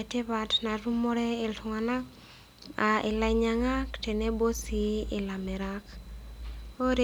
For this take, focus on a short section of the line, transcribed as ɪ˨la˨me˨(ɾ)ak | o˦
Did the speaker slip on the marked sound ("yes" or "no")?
no